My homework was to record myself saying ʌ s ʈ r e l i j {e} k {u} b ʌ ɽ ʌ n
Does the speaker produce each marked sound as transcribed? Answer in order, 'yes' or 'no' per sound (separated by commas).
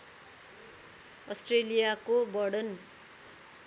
no, no